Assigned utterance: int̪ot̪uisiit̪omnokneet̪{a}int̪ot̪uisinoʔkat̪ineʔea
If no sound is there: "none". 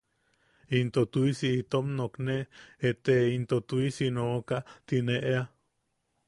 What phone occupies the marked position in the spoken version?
e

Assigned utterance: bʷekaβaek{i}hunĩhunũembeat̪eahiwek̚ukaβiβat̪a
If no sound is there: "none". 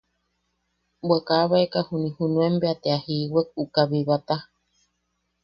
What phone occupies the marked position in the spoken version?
a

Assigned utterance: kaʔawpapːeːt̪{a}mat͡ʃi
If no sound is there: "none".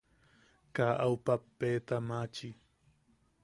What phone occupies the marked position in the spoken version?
a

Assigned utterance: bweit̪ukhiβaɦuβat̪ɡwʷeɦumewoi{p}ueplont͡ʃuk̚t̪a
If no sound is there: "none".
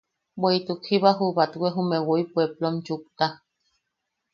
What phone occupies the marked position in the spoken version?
p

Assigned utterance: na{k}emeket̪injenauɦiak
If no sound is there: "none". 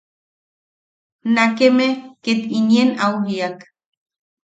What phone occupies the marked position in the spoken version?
k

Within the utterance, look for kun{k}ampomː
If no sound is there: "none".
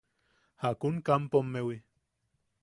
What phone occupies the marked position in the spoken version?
k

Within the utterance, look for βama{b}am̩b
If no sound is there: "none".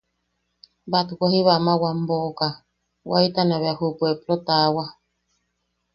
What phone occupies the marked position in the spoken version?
w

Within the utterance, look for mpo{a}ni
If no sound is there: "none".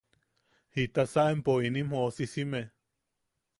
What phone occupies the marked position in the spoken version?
i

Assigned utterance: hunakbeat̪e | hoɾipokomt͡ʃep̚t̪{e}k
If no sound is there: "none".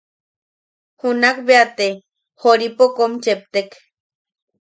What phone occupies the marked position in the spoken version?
e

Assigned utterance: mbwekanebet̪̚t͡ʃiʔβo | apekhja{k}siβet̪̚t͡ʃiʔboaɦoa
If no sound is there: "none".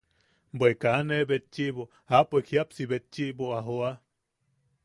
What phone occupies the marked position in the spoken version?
p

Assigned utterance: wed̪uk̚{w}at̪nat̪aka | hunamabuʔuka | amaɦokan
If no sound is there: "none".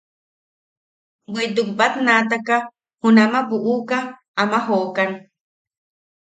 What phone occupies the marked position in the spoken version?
b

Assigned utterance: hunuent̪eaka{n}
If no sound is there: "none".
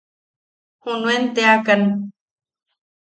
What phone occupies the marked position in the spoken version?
n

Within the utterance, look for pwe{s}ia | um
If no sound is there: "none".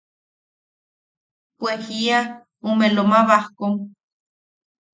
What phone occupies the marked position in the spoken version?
h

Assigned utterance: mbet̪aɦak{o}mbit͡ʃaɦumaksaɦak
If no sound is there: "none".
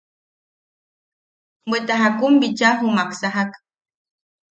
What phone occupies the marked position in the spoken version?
u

